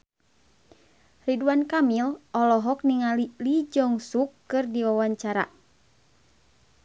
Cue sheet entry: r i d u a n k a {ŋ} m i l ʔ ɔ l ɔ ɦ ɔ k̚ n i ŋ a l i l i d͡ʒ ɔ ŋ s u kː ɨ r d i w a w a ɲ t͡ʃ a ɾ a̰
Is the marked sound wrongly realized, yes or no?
yes